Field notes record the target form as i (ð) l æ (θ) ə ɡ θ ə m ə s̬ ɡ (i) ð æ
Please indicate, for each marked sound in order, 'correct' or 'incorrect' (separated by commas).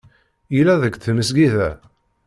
incorrect, incorrect, correct